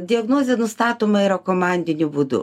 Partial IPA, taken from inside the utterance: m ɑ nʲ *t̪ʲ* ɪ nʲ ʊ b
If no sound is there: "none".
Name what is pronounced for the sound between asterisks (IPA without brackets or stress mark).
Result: d̪ʲ